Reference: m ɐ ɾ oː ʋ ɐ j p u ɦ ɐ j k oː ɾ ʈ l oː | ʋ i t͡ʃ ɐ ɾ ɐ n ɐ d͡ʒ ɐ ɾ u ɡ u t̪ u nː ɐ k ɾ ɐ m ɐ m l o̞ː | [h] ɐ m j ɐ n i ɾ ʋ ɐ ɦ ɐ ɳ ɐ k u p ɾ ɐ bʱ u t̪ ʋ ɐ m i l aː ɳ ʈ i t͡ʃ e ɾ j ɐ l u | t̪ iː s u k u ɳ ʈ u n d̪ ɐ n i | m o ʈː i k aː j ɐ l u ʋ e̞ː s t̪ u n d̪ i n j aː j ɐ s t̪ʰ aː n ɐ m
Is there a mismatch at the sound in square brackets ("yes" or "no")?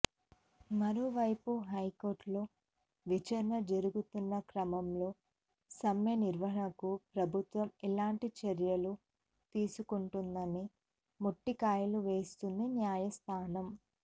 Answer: yes